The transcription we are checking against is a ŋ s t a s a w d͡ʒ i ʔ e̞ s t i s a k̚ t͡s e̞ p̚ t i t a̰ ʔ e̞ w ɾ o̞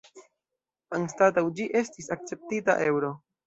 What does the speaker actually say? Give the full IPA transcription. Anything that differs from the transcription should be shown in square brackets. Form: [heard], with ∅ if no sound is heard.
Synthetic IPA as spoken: a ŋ s t a [t] a w d͡ʒ i ʔ e̞ s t i s a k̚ t͡s e̞ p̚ t i t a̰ ʔ e̞ w ɾ o̞

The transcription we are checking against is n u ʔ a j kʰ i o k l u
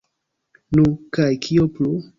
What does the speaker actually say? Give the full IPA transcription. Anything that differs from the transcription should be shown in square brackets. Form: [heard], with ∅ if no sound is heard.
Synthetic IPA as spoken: n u [k] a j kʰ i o [p] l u

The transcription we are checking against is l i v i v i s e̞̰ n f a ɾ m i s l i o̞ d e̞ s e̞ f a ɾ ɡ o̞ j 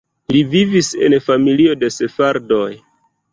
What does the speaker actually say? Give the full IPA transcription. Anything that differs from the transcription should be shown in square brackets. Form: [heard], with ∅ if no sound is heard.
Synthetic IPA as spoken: l i v i v i s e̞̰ n f a [∅] m i [∅] l i o̞ d e̞ s e̞ f a ɾ [d] o̞ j

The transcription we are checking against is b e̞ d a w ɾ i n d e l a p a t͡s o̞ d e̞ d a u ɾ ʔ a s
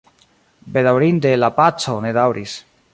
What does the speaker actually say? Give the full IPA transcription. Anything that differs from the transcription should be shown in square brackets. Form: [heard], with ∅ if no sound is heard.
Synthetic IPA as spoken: b e̞ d a w ɾ i n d e l a p a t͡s o̞ [n] e̞ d a [w] ɾ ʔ [i] s

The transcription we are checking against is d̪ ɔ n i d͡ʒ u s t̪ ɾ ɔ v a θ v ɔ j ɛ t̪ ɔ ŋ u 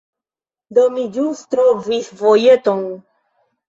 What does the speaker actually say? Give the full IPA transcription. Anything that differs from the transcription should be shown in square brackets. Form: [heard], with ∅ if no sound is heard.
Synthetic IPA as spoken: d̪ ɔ [m] i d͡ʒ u s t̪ ɾ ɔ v [i] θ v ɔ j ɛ t̪ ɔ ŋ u

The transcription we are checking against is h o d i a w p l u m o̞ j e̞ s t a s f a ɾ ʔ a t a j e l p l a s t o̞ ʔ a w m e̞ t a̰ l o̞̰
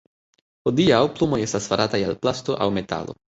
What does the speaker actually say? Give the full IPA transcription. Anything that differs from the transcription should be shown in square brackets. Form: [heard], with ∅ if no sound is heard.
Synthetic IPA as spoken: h o d i a w p l u m o̞ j e̞ s t a s f a ɾ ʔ a t a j [a] l p l a s t o̞ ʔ a w m e̞ t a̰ l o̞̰

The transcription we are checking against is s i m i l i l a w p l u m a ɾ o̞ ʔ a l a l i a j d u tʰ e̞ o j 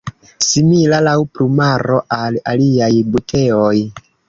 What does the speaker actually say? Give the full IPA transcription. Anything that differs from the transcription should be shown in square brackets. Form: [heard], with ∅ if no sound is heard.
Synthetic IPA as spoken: s i m i l [a] l a w p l u m a ɾ o̞ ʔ a l a l i a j [b] u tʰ e̞ o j

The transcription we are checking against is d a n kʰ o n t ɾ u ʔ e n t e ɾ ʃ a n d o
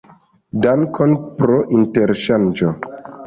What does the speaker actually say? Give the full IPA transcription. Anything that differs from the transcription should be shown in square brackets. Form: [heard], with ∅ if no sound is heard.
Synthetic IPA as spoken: d a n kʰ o n [p] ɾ [o] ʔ [i] n t e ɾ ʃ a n [d͡ʒ] o

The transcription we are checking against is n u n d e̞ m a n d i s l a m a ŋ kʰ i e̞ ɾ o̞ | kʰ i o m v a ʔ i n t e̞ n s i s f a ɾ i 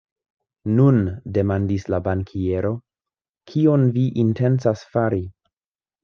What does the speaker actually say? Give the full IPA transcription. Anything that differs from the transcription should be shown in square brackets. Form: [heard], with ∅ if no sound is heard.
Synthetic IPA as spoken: n u n d e̞ m a n d i s l a [b] a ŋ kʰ i e̞ ɾ o̞ | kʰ i o [n] v [i] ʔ i n t e̞ n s [a] s f a ɾ i

